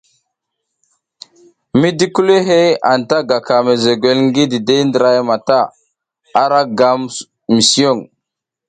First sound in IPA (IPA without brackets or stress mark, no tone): m